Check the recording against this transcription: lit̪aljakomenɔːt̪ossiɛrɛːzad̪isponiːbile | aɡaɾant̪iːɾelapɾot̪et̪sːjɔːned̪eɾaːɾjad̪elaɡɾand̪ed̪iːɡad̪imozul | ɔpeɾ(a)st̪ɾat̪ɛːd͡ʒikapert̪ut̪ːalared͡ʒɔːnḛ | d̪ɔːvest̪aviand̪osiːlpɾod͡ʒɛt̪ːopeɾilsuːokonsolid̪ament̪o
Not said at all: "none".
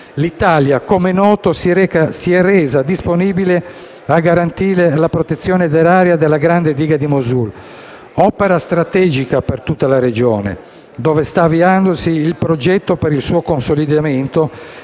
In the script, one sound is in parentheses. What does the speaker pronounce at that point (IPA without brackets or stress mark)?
a